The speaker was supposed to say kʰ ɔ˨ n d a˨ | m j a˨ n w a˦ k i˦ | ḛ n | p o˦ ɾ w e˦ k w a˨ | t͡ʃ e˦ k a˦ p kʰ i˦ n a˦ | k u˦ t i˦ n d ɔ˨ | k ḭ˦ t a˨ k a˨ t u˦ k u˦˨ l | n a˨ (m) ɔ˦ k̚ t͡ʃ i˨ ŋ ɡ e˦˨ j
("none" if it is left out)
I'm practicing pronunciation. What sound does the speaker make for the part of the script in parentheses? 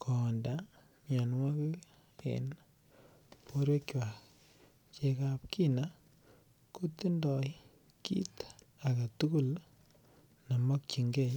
m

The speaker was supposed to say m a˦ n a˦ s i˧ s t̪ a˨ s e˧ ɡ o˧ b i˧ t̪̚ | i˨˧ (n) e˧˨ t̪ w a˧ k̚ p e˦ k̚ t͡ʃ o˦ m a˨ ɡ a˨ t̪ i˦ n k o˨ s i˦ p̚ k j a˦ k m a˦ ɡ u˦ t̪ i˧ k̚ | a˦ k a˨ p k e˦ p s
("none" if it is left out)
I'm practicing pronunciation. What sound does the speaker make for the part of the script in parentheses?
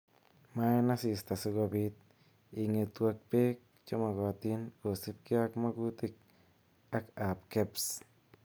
ŋ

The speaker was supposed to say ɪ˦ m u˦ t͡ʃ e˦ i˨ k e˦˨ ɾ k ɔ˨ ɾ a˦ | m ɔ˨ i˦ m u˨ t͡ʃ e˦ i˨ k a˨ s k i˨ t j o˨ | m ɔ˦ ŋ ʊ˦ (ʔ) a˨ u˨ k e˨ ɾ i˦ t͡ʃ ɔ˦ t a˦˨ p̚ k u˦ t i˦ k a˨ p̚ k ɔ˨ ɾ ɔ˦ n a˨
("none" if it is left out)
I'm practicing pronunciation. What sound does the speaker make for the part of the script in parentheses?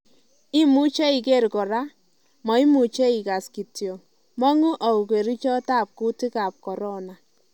ʔ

